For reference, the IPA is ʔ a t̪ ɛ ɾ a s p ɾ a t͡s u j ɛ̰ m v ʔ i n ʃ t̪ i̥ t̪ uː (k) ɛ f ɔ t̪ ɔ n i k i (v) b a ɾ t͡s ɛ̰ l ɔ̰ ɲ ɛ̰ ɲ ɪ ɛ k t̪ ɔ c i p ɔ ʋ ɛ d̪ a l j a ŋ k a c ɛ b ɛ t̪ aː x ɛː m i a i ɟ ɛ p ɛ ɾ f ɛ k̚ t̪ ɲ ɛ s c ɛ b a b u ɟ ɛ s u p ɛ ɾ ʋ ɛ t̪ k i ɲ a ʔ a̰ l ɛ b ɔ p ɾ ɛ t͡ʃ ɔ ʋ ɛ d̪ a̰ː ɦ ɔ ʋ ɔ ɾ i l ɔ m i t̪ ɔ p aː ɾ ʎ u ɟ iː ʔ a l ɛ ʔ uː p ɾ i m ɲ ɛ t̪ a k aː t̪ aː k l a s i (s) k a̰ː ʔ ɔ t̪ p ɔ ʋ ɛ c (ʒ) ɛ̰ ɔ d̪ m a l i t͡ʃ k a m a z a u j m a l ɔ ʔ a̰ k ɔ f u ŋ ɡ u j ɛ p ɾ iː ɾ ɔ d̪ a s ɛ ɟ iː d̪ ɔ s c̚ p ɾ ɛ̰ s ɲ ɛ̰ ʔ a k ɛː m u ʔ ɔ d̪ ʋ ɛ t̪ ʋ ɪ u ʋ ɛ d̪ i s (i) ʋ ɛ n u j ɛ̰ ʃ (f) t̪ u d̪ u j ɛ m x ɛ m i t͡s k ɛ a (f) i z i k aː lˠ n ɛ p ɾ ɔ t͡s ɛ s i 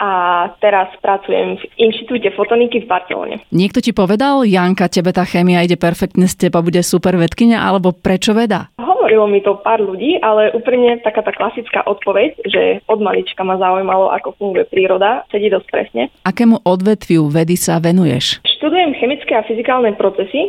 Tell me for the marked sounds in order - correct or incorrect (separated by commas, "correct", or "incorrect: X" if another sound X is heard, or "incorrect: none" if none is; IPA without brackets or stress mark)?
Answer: incorrect: c, correct, incorrect: t͡s, correct, incorrect: a, incorrect: ʃ, correct